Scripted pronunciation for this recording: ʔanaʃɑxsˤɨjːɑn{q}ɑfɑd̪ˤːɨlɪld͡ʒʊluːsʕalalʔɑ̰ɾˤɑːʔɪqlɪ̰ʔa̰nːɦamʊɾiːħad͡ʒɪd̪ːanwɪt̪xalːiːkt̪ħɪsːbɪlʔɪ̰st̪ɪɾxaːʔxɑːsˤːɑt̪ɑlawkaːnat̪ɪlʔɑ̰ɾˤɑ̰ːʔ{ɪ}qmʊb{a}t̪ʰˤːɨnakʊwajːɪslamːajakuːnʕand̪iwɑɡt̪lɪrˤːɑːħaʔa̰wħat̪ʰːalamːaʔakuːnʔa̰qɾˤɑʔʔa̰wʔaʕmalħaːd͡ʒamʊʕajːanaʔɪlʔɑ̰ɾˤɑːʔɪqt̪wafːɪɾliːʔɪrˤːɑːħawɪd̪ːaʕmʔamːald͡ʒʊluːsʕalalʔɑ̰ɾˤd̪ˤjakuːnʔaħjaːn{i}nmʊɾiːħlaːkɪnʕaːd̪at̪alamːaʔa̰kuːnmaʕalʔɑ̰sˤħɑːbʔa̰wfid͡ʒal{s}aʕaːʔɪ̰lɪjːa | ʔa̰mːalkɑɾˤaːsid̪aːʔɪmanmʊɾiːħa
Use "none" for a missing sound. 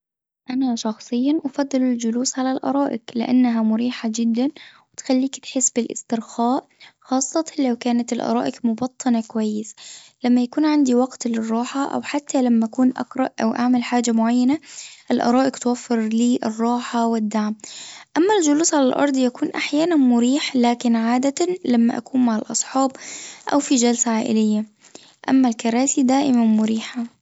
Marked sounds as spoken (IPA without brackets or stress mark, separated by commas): ʔ, ɪ, ɑ, a, s